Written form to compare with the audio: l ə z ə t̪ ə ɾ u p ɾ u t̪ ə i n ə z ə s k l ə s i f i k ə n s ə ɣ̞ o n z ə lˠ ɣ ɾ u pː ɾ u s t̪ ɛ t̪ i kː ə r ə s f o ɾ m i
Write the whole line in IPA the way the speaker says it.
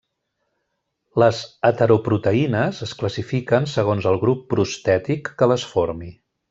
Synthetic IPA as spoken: l ə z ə t̪ ə ɾ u p ɾ u t̪ ə i n ə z ə s k l ə s i f i k ə n s ə ɣ̞ o n z ə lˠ ɣ ɾ u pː ɾ u s t̪ ɛ t̪ i kː ə l ə s f o ɾ m i